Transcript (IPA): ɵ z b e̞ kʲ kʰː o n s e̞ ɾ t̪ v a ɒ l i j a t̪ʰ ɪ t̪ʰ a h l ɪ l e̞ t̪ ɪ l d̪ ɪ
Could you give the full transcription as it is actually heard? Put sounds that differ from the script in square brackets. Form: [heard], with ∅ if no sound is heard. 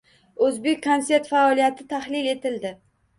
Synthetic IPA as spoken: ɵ z b e̞ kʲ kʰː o n s e̞ ɾ t̪ [f] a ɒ l i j a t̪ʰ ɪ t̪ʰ a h l ɪ l e̞ t̪ ɪ l d̪ ɪ